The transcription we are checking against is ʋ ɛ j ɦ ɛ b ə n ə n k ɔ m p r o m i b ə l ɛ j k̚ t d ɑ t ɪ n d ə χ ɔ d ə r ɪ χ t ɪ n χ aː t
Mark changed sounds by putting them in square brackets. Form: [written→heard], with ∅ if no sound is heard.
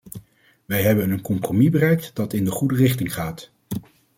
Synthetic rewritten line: ʋ ɛ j ɦ ɛ b ə n ə n k ɔ m p r o m i b ə [l→r] ɛ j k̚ t d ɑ t ɪ n d ə χ [ɔ→u] d ə r ɪ χ t ɪ [n→ŋ] χ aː t